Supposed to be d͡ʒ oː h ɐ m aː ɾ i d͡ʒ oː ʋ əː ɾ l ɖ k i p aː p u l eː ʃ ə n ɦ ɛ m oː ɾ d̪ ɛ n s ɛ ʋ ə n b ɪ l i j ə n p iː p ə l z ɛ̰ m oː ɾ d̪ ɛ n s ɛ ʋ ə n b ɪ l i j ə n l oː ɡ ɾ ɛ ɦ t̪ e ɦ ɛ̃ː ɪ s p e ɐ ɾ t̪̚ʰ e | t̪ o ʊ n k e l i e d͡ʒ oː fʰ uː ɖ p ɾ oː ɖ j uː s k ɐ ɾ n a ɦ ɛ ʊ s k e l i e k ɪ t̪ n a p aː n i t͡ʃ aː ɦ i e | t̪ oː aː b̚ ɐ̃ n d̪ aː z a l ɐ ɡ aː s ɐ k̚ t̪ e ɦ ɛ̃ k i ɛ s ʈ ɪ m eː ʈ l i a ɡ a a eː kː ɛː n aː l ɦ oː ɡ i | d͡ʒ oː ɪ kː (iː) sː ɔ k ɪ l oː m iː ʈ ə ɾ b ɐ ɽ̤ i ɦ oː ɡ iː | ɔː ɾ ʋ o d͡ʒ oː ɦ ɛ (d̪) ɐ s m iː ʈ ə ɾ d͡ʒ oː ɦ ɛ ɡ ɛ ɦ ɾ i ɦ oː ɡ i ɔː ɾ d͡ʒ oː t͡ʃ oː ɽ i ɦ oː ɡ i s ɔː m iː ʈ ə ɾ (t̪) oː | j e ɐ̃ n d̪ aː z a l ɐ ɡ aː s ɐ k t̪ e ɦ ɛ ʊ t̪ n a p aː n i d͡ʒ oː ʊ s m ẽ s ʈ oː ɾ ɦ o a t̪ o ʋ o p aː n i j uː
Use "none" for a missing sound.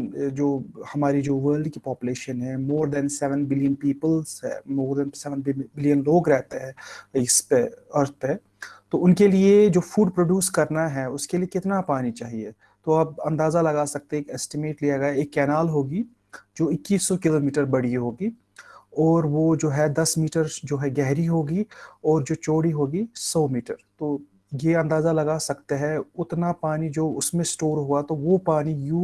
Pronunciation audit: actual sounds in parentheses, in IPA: iː, d̪, t̪

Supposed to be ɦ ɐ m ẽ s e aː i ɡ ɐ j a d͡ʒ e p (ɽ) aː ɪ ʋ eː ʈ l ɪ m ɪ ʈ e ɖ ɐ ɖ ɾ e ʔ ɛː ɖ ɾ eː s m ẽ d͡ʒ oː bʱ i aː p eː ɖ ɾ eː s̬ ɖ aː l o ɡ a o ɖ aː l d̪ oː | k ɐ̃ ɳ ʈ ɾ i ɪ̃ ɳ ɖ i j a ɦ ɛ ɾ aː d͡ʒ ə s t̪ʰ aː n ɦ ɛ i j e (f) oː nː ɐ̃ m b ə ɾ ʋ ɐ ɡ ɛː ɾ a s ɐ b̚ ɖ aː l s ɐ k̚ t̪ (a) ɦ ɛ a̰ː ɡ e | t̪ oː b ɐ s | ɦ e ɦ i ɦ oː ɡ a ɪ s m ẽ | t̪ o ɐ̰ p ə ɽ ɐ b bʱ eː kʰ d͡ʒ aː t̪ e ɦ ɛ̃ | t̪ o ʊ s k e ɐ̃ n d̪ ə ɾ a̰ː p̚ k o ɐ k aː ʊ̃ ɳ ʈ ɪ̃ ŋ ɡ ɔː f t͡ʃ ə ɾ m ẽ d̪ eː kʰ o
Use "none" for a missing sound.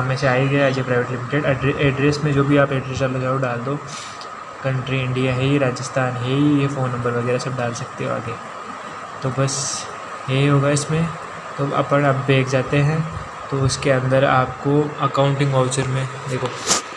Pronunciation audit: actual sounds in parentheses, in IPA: ɾ, f, e

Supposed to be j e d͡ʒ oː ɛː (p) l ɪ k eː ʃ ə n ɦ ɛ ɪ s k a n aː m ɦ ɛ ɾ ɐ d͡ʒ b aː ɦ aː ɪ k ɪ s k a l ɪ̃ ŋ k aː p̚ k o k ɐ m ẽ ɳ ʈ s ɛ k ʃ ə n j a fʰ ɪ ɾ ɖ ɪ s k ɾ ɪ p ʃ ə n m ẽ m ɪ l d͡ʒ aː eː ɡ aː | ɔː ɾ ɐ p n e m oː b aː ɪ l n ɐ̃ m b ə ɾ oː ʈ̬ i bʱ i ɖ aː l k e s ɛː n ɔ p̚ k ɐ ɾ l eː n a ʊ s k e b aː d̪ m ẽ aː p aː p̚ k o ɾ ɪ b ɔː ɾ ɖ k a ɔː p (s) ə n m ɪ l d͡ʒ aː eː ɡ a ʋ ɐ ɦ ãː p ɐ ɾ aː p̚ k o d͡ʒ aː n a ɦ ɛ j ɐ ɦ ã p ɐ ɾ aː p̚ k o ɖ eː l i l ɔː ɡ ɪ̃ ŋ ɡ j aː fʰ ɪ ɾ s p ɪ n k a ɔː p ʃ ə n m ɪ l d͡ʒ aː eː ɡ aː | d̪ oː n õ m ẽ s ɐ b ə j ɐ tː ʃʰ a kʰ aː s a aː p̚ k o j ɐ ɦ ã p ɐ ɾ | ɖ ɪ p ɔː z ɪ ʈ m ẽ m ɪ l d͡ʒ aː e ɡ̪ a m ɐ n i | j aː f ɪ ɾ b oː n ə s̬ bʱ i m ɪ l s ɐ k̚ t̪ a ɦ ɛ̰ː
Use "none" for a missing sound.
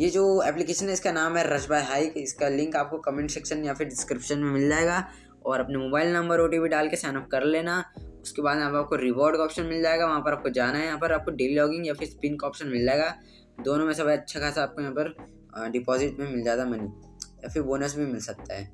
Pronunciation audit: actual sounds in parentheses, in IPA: p, ʃ

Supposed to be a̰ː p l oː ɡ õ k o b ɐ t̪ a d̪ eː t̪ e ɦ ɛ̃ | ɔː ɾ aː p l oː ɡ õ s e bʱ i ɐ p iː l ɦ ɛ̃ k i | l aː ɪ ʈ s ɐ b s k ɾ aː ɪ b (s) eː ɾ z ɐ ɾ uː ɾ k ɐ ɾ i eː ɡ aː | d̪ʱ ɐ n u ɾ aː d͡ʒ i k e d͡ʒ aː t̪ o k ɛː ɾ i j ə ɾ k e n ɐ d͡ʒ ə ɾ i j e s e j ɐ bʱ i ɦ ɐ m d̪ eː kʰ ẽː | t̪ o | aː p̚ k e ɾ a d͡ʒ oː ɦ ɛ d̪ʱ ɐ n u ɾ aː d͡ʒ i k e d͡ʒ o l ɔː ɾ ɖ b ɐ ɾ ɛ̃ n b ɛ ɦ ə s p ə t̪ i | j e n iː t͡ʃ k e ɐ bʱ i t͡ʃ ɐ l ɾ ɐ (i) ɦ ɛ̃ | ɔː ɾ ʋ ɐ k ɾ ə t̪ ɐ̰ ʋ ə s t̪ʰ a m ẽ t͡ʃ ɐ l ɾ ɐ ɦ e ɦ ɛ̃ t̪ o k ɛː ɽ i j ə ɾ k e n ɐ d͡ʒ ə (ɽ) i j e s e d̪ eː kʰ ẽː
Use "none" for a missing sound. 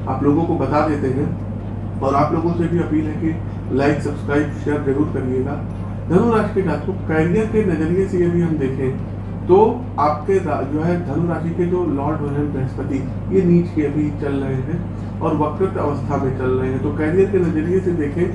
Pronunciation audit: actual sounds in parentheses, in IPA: ʃ, e, ɾ

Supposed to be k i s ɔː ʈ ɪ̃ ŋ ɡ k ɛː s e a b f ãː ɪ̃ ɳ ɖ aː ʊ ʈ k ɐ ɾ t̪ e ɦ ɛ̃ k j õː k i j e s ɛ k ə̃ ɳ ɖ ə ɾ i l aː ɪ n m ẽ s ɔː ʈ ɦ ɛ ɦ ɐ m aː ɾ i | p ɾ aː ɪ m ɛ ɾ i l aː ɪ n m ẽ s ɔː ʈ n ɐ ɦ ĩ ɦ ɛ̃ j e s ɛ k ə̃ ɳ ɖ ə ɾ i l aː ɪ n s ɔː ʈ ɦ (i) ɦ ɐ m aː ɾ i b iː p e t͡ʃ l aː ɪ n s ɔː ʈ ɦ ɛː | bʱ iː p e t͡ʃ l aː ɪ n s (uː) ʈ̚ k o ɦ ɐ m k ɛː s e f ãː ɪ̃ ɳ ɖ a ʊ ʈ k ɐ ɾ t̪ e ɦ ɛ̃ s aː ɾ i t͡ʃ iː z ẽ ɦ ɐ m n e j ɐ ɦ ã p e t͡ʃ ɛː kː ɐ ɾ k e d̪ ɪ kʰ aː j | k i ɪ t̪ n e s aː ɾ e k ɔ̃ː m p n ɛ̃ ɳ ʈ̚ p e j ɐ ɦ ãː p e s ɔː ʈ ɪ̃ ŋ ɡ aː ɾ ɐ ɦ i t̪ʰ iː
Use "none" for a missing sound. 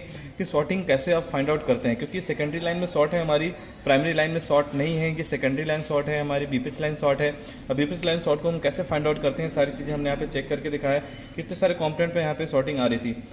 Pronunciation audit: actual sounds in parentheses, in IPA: ɛ, ɔː

